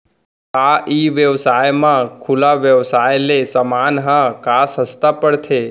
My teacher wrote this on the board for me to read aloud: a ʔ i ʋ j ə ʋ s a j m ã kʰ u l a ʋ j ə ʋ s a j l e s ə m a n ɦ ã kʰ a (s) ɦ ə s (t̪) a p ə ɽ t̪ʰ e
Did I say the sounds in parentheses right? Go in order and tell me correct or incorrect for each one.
correct, correct

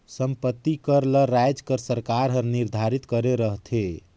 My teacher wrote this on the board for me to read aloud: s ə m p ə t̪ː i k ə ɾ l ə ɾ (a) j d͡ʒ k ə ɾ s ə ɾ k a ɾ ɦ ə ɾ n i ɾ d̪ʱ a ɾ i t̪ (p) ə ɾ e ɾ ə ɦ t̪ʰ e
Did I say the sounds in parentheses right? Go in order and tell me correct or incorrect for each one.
correct, incorrect: k

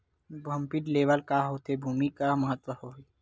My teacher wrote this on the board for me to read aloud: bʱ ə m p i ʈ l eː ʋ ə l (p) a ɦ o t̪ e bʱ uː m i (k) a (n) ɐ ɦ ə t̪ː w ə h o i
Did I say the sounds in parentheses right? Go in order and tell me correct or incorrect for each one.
incorrect: k, correct, incorrect: m

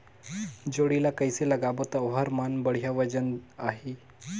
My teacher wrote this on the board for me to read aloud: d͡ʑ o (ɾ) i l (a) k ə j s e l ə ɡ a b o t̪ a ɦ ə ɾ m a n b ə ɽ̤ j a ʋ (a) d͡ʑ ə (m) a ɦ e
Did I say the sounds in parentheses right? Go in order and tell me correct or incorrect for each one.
incorrect: ɽ, correct, incorrect: ə, incorrect: n

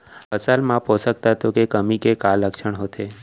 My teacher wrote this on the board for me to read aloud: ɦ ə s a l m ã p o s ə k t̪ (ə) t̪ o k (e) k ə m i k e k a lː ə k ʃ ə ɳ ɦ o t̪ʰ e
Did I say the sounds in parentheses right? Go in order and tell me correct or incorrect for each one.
incorrect: a, correct

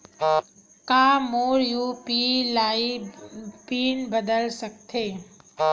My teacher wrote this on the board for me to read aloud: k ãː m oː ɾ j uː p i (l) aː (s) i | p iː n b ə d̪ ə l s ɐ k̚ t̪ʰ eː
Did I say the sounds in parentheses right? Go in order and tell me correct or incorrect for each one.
correct, incorrect: none

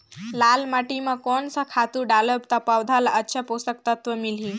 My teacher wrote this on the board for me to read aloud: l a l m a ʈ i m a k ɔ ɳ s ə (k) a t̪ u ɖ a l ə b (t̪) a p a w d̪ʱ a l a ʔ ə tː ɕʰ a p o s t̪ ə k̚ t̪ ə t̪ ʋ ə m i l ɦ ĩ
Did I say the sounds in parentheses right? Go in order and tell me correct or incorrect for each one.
incorrect: kʰ, correct

